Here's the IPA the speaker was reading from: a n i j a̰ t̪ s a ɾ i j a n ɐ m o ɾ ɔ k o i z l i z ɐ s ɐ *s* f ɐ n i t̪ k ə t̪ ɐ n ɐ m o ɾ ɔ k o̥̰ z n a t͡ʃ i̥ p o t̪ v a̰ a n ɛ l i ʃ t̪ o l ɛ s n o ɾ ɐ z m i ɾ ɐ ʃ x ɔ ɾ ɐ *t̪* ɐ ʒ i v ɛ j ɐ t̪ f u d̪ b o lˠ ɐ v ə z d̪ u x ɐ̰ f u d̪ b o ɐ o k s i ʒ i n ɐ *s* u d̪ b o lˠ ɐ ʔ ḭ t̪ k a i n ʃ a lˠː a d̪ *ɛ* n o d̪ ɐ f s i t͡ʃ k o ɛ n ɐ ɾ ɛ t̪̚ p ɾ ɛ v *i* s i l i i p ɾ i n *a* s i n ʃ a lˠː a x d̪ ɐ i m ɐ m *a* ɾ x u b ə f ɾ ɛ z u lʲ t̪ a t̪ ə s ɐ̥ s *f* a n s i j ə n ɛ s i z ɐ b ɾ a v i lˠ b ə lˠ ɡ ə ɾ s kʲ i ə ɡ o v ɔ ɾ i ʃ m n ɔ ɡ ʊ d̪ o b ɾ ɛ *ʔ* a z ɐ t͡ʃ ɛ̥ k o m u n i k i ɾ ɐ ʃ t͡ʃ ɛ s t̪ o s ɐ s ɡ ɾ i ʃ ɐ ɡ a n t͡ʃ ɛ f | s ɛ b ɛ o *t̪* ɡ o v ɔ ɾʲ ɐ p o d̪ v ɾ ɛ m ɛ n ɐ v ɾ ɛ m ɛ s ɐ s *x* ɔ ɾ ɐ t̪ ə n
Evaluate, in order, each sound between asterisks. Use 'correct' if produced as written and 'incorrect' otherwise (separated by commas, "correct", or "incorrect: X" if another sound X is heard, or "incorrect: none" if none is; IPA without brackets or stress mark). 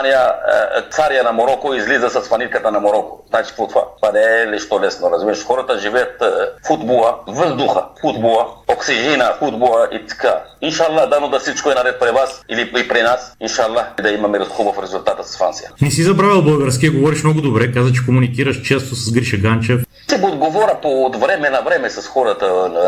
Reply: correct, correct, incorrect: f, incorrect: a, incorrect: a, correct, incorrect: ɛ, correct, incorrect: k, incorrect: d̪, correct